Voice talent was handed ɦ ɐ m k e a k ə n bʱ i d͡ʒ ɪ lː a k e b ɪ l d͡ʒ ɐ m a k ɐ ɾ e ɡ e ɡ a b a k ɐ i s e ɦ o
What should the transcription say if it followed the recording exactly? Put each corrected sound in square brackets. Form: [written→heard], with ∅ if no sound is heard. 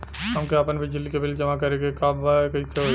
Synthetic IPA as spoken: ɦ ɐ m k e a [k→p] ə n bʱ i d͡ʒ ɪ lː [a→i] k e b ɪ l d͡ʒ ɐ m a k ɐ ɾ e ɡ e [ɡ→k] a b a k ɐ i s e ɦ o